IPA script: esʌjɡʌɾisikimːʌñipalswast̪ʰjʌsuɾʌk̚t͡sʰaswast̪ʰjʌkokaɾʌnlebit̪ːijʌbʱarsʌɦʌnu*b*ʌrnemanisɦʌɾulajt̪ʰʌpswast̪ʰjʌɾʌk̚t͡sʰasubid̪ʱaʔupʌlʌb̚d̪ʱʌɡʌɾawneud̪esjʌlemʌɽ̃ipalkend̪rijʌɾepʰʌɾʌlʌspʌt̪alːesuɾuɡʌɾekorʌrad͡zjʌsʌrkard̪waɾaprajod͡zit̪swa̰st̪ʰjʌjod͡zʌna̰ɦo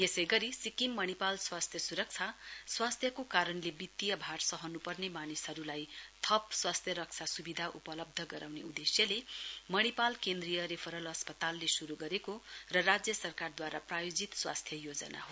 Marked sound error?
yes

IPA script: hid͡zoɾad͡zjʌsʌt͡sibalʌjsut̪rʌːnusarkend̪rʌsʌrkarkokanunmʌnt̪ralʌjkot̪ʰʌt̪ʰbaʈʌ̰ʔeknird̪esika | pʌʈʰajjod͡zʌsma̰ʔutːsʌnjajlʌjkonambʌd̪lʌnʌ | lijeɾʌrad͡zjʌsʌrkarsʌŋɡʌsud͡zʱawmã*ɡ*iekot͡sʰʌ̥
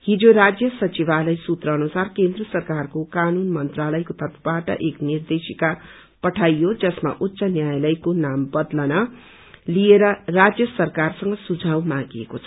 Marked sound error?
no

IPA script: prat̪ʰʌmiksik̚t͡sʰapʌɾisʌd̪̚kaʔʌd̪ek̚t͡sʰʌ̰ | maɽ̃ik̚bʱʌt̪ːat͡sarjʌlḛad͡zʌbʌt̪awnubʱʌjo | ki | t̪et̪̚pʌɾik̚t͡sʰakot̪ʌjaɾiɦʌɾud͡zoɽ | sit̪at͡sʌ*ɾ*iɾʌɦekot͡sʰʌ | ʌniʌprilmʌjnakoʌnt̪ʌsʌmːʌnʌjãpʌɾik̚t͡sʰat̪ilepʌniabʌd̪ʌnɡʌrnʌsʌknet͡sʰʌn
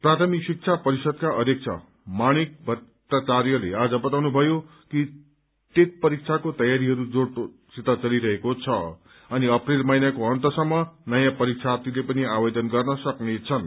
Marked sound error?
yes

